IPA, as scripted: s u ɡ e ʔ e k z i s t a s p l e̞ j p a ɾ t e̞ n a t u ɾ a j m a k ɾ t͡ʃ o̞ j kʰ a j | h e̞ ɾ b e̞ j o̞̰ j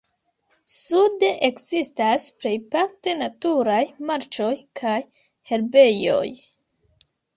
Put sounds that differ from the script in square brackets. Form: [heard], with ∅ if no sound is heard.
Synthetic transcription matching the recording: s u [d] e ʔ e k z i s t a s p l e̞ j p a ɾ t e̞ n a t u ɾ a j m a [∅] ɾ t͡ʃ o̞ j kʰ a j | h e̞ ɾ b e̞ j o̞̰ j